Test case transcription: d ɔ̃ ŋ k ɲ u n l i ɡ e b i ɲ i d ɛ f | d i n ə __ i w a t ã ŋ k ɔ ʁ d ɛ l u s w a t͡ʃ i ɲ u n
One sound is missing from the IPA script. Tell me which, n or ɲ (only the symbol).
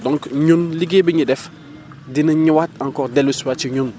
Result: ɲ